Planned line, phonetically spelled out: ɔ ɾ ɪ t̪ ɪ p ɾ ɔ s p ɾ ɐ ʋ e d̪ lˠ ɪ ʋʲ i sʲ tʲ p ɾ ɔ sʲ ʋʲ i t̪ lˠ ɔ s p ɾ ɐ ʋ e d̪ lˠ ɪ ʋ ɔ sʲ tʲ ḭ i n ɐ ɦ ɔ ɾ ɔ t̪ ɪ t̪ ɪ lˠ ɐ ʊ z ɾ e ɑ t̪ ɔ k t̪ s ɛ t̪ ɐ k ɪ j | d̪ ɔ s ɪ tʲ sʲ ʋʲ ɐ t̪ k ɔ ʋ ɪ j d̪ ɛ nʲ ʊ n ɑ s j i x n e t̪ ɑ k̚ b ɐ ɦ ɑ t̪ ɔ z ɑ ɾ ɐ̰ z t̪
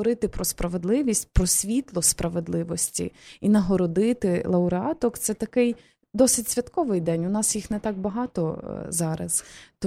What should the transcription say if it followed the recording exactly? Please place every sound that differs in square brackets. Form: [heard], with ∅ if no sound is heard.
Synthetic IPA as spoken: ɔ ɾ ɪ t̪ ɪ p ɾ ɔ s p ɾ ɐ ʋ e d̪ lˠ ɪ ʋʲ i sʲ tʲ p ɾ ɔ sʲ ʋʲ i t̪ lˠ ɔ s p ɾ ɐ ʋ e d̪ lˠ ɪ ʋ ɔ sʲ tʲ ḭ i n ɐ ɦ ɔ ɾ ɔ [d̪] ɪ t̪ ɪ lˠ ɐ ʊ [∅] ɾ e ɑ t̪ ɔ k t̪ s ɛ t̪ ɐ k ɪ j | d̪ ɔ s ɪ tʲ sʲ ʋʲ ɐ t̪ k ɔ ʋ ɪ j d̪ ɛ nʲ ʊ n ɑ s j i x n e t̪ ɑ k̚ b ɐ ɦ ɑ t̪ ɔ z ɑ ɾ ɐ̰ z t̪